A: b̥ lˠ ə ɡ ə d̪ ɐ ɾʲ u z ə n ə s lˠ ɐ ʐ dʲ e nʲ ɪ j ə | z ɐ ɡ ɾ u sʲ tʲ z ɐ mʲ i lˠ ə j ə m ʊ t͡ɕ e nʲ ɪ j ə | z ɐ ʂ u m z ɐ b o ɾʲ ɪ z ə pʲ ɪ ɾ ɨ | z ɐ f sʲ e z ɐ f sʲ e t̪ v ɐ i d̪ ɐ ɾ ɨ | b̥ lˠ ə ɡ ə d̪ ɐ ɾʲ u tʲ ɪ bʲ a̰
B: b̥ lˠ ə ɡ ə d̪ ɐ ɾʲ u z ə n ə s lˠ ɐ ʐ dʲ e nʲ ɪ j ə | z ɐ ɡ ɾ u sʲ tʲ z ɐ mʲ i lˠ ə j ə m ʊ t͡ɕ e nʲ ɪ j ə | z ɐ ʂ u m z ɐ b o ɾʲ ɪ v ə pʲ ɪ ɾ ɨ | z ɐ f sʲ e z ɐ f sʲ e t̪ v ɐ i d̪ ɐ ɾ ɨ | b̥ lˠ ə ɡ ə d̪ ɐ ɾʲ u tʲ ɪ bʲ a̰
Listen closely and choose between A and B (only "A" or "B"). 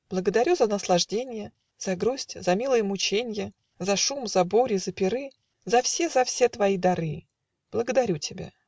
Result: A